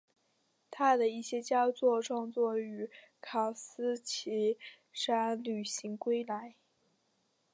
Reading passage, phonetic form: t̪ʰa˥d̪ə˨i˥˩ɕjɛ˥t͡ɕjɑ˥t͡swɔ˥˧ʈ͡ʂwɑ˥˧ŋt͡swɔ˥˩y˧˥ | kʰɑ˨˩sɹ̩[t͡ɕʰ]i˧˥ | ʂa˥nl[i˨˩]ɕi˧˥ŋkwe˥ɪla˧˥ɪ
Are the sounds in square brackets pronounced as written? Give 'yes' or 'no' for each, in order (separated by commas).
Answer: yes, no